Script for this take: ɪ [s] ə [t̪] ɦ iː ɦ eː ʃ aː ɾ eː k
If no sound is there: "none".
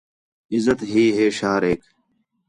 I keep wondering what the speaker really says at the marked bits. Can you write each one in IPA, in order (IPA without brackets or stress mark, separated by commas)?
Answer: z, t̪